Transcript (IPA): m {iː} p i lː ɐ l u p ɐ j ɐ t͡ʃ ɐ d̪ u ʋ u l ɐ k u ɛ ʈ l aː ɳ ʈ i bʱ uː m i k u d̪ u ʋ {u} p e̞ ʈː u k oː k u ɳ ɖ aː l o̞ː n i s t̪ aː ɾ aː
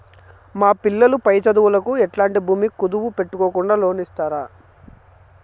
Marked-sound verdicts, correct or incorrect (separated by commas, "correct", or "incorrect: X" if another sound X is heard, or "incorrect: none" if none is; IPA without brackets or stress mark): incorrect: aː, correct